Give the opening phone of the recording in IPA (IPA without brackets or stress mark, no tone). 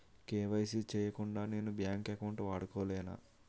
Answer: k